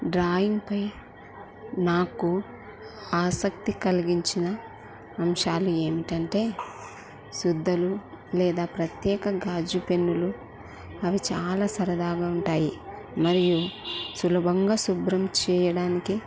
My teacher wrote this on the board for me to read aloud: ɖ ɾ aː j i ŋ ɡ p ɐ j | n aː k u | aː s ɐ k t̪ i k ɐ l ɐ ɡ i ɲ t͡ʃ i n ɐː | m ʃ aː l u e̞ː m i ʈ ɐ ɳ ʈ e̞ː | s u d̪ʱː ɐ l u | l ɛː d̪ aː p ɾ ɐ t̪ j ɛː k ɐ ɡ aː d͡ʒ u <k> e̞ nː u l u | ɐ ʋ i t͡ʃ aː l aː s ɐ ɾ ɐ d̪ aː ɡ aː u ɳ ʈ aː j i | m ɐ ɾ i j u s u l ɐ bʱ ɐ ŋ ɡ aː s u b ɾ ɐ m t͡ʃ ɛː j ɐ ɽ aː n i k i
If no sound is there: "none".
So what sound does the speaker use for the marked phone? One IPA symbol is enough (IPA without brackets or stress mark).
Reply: p